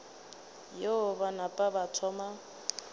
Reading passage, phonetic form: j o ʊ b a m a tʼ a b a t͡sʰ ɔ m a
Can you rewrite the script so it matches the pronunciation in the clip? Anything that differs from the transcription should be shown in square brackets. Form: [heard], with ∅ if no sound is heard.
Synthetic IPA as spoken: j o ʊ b a [n] a [pʼ] a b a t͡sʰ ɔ m a